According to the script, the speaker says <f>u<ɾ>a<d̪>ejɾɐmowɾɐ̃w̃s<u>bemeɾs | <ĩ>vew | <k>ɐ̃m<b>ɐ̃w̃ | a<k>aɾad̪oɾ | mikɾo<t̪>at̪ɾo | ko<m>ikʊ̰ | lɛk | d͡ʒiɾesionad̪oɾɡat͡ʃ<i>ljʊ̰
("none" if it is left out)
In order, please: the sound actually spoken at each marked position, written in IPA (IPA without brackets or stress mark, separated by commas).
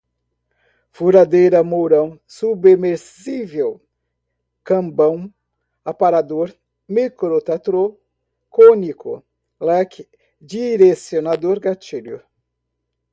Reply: f, ɾ, d̪, u, i, k, b, p, t̪, n, i